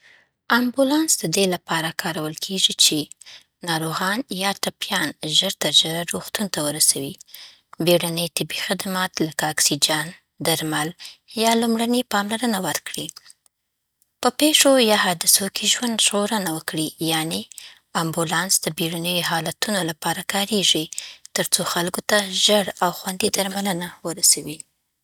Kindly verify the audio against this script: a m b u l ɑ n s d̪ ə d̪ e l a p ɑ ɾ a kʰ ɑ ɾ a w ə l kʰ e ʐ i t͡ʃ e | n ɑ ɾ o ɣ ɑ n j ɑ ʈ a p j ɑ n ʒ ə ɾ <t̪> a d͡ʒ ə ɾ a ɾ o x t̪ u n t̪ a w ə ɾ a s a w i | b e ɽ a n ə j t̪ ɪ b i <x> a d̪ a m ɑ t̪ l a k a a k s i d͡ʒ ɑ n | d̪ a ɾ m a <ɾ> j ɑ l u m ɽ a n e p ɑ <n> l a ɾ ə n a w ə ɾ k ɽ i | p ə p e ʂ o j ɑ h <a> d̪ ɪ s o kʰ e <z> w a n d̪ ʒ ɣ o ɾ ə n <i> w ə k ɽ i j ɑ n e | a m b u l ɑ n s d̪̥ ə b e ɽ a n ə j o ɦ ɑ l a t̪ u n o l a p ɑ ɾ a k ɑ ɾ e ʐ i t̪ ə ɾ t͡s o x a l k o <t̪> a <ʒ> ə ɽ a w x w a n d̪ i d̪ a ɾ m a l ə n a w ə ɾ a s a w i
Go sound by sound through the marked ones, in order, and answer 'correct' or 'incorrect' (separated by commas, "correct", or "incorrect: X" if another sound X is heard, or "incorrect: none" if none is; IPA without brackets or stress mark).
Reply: correct, correct, incorrect: l, incorrect: m, incorrect: ɑ, incorrect: ʒ, incorrect: a, correct, correct